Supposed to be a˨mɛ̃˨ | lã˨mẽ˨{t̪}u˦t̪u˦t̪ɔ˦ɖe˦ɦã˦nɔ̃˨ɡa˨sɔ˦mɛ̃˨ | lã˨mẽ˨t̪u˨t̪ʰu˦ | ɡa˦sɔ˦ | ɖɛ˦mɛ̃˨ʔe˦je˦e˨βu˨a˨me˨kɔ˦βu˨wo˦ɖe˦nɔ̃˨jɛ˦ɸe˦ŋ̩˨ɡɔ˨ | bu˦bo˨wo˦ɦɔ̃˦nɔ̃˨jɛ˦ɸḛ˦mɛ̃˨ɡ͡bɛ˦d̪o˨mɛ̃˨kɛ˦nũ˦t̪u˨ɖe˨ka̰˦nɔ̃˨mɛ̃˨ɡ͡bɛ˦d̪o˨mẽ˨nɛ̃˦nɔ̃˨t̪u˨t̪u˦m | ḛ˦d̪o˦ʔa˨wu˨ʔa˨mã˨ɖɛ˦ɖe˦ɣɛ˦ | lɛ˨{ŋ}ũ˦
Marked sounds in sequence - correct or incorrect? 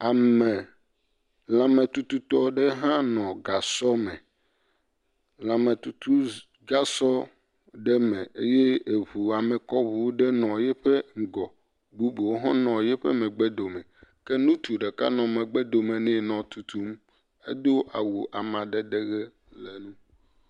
correct, incorrect

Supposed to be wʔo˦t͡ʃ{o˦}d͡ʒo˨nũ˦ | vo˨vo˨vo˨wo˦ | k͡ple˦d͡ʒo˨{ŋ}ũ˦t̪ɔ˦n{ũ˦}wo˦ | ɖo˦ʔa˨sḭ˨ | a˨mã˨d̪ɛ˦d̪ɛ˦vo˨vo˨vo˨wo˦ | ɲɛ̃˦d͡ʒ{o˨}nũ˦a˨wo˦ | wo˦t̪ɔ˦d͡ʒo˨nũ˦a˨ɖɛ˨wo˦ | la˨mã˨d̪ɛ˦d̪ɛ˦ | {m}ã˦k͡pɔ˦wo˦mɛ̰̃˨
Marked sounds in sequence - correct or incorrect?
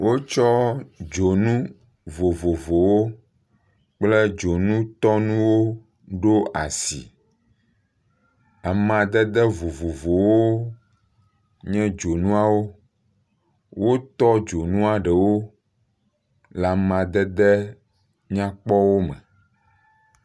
incorrect, incorrect, correct, correct, incorrect

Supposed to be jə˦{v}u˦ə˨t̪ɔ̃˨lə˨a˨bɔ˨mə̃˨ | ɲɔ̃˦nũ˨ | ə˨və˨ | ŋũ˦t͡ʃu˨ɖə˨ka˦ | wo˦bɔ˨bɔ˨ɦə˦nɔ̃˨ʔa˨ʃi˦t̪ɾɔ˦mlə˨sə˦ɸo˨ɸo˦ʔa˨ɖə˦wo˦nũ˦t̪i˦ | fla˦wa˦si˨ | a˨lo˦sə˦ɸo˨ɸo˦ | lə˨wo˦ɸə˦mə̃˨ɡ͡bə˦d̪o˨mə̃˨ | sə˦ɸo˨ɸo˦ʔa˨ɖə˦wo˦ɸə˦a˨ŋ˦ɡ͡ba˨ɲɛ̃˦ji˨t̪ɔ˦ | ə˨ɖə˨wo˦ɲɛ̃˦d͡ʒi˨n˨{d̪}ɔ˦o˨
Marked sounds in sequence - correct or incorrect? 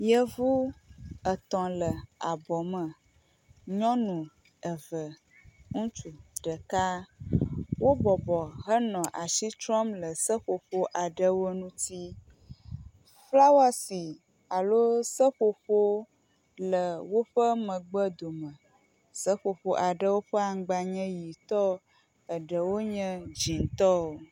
correct, incorrect

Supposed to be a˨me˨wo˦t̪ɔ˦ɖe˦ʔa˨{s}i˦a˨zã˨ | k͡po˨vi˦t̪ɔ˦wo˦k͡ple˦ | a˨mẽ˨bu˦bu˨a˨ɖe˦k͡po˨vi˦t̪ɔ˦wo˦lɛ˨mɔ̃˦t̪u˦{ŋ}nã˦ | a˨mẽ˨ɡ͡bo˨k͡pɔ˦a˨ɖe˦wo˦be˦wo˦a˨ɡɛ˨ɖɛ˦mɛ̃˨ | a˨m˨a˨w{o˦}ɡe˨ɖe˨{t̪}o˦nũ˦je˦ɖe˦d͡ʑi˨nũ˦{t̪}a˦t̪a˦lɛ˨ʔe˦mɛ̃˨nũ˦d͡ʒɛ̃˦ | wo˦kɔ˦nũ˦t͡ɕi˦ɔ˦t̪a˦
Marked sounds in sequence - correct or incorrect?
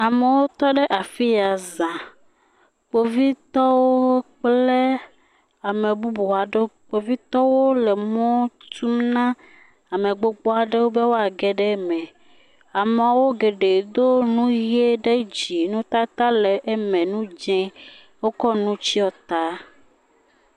incorrect, incorrect, correct, incorrect, correct

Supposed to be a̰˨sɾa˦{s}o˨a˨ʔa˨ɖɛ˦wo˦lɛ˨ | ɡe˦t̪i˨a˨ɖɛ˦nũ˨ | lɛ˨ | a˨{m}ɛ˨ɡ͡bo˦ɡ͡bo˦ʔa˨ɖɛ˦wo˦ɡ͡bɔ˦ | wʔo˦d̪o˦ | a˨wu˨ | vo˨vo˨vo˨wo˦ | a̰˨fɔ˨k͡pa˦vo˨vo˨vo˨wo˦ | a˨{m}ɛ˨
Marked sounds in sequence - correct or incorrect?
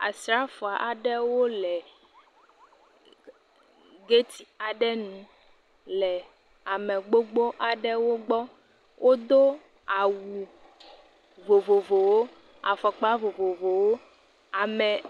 incorrect, correct, correct

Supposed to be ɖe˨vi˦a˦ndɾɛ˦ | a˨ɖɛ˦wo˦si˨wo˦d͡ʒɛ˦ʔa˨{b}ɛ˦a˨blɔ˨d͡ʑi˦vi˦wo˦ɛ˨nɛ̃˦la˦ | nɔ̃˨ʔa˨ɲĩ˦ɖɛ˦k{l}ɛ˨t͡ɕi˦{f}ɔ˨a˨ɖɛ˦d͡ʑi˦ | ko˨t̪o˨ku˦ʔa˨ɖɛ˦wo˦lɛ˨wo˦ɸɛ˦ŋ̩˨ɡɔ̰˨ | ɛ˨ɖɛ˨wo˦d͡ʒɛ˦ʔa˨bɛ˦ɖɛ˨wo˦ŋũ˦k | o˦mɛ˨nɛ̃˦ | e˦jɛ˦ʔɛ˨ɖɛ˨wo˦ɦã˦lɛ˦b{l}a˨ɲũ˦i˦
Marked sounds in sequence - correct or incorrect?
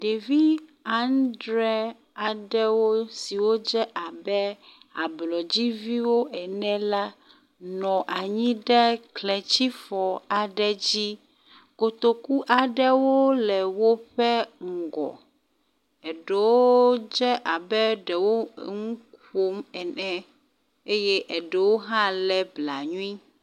correct, correct, correct, correct

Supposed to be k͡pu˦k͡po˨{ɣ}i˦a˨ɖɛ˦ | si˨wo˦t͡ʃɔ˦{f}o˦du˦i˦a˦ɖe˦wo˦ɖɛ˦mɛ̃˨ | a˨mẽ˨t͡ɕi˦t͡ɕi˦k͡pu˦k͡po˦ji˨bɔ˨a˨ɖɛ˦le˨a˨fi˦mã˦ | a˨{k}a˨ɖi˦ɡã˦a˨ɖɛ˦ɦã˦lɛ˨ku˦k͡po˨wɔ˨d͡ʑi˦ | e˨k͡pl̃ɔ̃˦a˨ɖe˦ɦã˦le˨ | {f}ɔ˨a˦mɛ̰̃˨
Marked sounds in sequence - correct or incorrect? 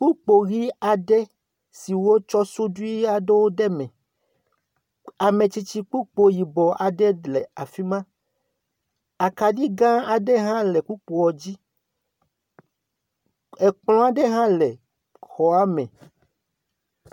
correct, incorrect, correct, incorrect

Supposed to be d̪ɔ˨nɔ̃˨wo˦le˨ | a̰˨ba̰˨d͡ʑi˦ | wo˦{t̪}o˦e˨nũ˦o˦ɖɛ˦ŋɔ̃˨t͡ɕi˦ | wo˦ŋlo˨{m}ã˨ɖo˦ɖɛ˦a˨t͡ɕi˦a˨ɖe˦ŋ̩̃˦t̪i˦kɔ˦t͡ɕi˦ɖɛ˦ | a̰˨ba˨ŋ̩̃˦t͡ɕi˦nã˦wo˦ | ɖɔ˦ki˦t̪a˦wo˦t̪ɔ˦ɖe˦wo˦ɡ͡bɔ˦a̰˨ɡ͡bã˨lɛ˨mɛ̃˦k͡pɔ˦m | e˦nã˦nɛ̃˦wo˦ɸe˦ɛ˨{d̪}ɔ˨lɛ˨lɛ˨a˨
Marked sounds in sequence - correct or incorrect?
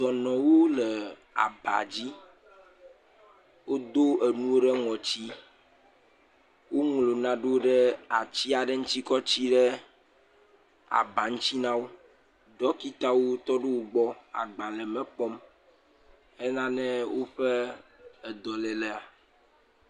incorrect, incorrect, correct

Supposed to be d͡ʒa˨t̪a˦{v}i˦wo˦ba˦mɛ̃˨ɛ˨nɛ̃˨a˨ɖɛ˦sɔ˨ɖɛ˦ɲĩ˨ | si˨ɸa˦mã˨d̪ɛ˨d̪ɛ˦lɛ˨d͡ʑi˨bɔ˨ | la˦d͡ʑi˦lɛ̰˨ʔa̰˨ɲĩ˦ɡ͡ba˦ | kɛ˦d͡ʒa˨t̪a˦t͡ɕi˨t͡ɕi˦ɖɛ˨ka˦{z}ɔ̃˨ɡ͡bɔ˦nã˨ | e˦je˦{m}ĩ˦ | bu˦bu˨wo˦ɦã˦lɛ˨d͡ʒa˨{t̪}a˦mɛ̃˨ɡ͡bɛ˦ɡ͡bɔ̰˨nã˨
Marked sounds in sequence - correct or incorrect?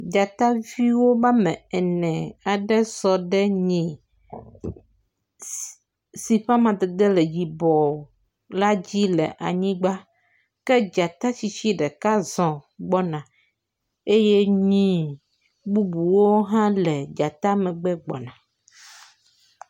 correct, correct, incorrect, correct

